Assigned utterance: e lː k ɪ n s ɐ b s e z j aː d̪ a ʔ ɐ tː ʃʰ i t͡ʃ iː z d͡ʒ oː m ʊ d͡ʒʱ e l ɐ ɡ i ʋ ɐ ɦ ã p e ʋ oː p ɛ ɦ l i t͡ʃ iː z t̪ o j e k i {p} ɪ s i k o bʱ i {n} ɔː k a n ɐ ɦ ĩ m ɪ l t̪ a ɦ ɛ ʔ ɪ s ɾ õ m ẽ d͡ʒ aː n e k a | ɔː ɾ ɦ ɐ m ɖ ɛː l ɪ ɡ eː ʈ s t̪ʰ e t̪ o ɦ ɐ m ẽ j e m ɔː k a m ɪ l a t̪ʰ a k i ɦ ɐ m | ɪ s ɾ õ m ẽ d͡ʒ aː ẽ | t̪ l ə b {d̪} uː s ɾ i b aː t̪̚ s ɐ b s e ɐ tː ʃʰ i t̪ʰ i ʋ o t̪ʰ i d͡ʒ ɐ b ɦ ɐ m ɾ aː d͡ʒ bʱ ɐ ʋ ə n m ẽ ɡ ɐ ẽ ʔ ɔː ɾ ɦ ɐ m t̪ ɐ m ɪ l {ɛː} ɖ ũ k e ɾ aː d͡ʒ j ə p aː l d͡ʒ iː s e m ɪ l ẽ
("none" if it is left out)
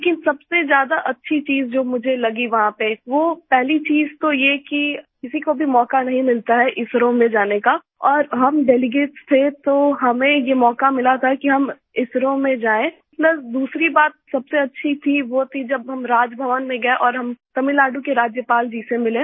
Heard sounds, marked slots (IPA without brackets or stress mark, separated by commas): k, m, d̪, aː